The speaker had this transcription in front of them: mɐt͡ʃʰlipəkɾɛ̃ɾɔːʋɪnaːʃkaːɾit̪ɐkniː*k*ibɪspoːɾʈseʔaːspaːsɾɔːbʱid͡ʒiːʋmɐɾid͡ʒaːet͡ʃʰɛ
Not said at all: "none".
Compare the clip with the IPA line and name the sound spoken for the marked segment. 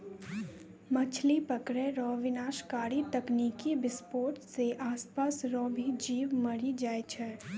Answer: k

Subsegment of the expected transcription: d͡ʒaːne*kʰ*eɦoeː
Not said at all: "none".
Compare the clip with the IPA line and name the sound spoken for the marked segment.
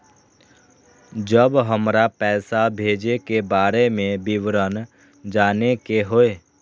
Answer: k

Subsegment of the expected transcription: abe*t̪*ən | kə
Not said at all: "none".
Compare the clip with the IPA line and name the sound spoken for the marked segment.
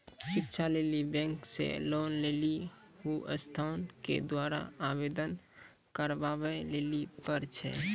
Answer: d̪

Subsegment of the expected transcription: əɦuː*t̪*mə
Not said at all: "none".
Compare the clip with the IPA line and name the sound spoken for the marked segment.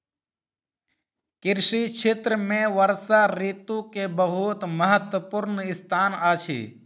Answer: t̪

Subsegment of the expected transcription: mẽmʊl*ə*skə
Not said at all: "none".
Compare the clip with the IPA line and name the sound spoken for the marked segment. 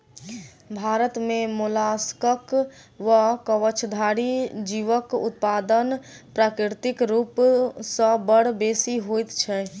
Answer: a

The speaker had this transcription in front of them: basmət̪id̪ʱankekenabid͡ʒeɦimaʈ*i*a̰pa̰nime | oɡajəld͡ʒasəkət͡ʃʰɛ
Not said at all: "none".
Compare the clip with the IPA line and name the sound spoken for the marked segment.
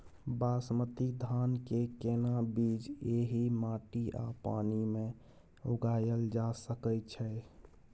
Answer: i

